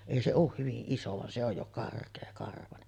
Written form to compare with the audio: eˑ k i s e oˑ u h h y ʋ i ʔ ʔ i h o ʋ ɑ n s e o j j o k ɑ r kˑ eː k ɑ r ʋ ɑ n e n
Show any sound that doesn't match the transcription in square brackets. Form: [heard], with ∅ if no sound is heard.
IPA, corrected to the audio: eˑ [∅] i s e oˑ u h h y ʋ i ʔ ʔ i [s] o ʋ ɑ n s e o j j o k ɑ r kˑ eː k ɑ r ʋ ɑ n e n

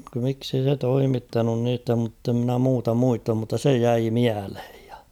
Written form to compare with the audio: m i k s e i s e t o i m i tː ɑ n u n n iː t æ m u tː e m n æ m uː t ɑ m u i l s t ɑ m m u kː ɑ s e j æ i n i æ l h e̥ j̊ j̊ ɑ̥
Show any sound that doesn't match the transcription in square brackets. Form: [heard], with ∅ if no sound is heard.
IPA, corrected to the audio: m i k s e i s e t o i m i tː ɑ n u n n iː t æ m u tː e m n æ m uː t ɑ m u i [∅] s t ɑ m m u [tː] ɑ s e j æ i [m] i æ l h e̥ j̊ j̊ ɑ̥

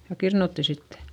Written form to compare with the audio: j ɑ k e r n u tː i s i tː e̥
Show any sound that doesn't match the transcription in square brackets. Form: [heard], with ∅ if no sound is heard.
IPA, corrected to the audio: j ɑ k [i] r n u tː i s i tː e̥

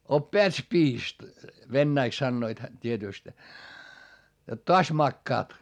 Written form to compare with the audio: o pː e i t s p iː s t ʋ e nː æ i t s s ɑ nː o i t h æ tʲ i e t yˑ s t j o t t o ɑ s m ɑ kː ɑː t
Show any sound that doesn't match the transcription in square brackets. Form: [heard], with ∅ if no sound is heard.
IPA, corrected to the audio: o pː e [æ] t s p iː s t ʋ e nː æ i [k] s s ɑ nː o i t h æ tʲ i e t yˑ s t j o t t o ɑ s m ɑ kː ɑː t

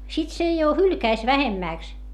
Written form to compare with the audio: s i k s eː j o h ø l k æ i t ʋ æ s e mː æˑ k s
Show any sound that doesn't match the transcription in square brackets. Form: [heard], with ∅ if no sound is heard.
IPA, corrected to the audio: s i [t] s [e] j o h [y] l k æ i [s] ʋ æ [h] e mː æˑ k s

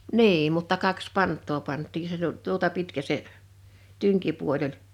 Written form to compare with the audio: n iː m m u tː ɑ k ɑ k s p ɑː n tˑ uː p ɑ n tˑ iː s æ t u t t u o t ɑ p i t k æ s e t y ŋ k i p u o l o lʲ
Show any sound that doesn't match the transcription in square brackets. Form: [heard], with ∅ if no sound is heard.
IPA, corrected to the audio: n iː m m u tː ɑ k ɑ k s p [ɑ] n tˑ [oː] p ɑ n tˑ iː s [e] t u t t u o t ɑ p i t k æ s e t y ŋ k i p u o l o lʲ

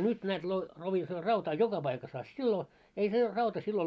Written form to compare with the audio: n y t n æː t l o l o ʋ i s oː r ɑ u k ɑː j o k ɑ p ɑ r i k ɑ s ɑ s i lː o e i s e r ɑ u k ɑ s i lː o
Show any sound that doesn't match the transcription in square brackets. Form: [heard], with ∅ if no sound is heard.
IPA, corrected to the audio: n y t n æː t l o l o ʋ i s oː r ɑ u [t] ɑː j o k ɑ p ɑ [∅] i k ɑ s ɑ s i lː o e i s e r ɑ u [t] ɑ s i lː o

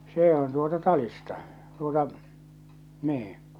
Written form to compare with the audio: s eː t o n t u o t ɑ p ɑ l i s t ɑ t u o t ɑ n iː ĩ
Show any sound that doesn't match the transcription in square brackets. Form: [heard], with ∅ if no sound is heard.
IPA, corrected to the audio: s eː [∅] o n t u o t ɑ [t] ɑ l i s t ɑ t u o t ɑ n iː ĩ

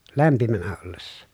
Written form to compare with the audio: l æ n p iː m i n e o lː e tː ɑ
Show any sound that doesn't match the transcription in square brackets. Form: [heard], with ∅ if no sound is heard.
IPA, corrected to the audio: l æ [m] p [i] m [æ] n [æ] o lː e [sː] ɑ

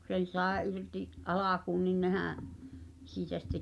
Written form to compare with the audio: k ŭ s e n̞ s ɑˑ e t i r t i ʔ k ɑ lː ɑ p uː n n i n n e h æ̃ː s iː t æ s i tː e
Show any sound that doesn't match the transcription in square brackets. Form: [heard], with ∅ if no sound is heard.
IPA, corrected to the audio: k ŭ s e n̞ s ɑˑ e [ʔ] i r t i ʔ [ʔ] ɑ [l] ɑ [k] uː n n i n n e h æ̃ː s iː t æ s i tː e

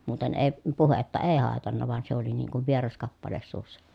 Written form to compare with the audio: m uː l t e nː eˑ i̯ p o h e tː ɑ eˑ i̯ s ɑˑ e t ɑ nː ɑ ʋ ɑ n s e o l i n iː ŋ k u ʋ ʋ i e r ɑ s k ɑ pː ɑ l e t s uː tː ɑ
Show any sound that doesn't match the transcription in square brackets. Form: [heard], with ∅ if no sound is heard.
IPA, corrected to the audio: m uː [∅] t e [n] eˑ i̯ p [u] h e tː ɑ eˑ i̯ [h] ɑˑ e t ɑ nː ɑ ʋ ɑ n s e o l i n iː ŋ k u ʋ ʋ i e r ɑ s k ɑ pː ɑ l e [s] s uː [sː] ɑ

